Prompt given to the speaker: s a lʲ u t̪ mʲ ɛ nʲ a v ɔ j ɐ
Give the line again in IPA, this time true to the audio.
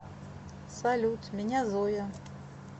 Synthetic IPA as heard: s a lʲ u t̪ mʲ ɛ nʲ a z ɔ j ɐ